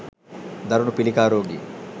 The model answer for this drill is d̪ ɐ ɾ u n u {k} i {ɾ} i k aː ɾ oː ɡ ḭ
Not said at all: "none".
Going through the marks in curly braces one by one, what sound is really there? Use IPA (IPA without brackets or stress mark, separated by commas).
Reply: p, l